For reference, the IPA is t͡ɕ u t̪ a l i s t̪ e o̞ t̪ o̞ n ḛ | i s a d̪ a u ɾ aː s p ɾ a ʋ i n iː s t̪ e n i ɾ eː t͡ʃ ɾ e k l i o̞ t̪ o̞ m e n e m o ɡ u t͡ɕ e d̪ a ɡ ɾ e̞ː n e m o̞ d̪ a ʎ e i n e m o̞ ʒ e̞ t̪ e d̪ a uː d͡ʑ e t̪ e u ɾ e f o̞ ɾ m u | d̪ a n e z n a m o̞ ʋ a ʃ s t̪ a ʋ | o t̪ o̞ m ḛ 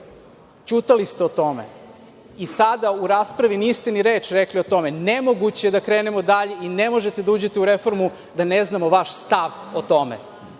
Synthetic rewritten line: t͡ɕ u t̪ a l i s t̪ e o̞ t̪ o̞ m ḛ | i s a d̪ a u ɾ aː s p ɾ a ʋ i n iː s t̪ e n i ɾ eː t͡ʃ ɾ e k l i o̞ t̪ o̞ m e n e m o ɡ u t͡ɕ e d̪ a k ɾ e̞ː n e m o̞ d̪ a ʎ e i n e m o̞ ʒ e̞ t̪ e d̪ a uː d͡ʑ e t̪ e u ɾ e f o̞ ɾ m u | d̪ a n e z n a m o̞ ʋ a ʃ s t̪ a ʋ | o t̪ o̞ m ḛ